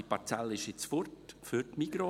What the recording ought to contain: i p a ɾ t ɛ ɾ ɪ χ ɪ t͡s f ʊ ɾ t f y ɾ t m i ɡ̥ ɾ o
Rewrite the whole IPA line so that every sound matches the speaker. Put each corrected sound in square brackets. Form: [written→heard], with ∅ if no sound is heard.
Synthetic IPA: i p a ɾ [t→t͡s] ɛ [ɾ→l] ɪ [χ→ʃ] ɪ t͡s f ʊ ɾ t f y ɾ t m i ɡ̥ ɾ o